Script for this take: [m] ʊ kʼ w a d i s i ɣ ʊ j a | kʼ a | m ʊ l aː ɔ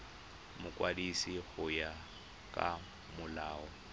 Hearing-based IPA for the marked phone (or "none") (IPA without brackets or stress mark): m